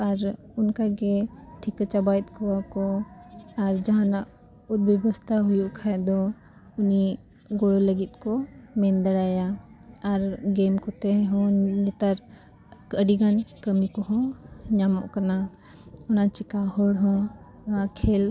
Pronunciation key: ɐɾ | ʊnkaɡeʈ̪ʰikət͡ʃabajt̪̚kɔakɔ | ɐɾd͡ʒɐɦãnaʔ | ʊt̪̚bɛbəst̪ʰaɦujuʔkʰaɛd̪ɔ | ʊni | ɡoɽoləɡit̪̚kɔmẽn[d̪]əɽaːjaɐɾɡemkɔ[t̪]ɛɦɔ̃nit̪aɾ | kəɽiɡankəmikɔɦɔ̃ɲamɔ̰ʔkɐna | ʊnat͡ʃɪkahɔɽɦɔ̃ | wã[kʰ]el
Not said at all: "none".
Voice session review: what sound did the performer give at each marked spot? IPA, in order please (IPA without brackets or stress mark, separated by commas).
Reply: d̪, t̪, kʰ